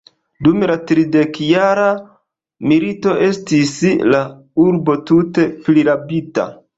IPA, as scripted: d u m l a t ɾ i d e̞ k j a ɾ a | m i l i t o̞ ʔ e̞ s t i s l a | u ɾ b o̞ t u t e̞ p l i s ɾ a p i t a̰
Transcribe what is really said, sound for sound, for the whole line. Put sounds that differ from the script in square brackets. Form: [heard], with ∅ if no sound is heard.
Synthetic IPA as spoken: d u m l a t ɾ i d e̞ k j a ɾ a | m i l i t o̞ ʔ e̞ s t i s l a | u ɾ b o̞ t u t e̞ p l i [∅] ɾ a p i t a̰